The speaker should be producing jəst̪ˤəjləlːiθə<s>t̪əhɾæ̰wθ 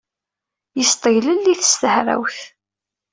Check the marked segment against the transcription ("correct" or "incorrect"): correct